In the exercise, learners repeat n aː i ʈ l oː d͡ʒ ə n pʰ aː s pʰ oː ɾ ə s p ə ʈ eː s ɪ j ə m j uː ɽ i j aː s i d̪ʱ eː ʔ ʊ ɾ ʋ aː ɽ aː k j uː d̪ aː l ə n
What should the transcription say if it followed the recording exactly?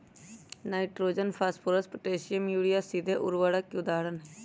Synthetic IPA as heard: n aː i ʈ ɾ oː d͡ʒ ə n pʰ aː s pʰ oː ɾ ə s p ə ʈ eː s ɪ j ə m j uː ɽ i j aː s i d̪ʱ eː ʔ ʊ ɾ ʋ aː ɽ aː k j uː d̪ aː ɽ ə n